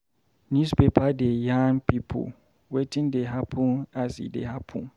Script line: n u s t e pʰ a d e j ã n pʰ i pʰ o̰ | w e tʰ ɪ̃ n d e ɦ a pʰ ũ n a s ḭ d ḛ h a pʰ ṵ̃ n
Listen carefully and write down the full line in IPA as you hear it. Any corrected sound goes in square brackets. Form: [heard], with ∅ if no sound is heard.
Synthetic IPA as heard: n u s [p] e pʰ a d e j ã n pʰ i pʰ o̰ | w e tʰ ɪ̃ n d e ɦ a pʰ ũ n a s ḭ d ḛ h a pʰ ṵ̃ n